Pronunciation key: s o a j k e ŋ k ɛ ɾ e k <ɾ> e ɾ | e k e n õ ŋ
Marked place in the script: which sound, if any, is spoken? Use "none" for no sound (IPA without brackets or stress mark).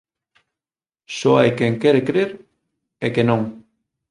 ɾ